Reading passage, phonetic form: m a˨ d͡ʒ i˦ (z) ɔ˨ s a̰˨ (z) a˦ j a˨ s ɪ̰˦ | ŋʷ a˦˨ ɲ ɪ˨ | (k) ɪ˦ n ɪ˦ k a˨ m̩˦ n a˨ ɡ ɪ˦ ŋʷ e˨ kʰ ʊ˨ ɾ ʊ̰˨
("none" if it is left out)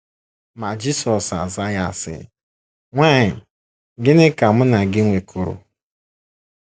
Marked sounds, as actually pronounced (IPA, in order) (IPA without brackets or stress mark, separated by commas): s, z, ɡ